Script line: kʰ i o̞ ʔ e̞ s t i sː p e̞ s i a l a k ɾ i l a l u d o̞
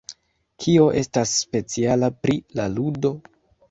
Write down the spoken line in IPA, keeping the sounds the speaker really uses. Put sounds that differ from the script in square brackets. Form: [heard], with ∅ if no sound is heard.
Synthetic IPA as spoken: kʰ i o̞ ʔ e̞ s t [a] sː p e̞ [t͡s] i a l a [p] ɾ i l a l u d o̞